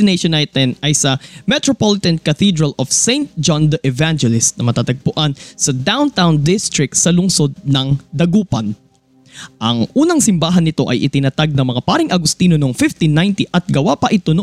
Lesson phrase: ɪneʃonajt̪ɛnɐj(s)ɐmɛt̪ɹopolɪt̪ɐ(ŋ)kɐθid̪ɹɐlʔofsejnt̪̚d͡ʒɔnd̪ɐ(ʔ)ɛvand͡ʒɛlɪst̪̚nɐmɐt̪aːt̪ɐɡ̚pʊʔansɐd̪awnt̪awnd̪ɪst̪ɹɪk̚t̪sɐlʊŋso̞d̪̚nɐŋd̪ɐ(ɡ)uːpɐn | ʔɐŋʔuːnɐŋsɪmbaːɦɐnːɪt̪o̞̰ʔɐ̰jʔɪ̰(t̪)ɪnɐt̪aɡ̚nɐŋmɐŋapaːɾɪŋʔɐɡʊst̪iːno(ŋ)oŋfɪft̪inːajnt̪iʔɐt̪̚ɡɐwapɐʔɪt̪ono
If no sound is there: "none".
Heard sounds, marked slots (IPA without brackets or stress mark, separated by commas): s, n, ʔ, ɡ, t̪, n